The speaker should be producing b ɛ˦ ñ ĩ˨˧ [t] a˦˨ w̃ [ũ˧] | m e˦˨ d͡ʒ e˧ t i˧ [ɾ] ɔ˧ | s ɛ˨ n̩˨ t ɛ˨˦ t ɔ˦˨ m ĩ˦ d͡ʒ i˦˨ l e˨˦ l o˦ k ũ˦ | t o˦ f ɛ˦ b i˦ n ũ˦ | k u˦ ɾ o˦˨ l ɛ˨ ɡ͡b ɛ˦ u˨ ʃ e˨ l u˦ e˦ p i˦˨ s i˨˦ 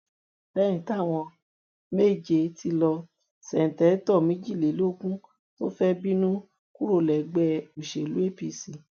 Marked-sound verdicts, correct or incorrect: correct, incorrect: ɔ̃˧, incorrect: l

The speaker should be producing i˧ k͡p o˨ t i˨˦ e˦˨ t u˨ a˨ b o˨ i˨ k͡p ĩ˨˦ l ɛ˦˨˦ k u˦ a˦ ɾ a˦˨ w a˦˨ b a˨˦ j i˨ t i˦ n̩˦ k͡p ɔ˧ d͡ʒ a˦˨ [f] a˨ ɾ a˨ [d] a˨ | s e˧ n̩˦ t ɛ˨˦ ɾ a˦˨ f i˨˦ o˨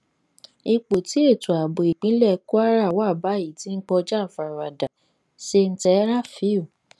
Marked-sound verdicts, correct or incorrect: correct, correct

